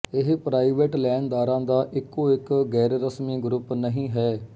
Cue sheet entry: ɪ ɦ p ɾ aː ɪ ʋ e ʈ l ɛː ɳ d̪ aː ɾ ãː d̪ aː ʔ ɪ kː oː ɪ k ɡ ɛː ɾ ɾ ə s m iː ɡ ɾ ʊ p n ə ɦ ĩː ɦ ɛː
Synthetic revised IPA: ɪ ɦ p ɾ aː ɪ ʋ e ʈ l ɛː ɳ d̪ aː ɾ ãː d̪ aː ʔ ɪ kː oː ɪ k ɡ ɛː ɾ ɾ ə s m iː ɡ ɾ ʊ p n ə ɦ ĩː ɦ ɛː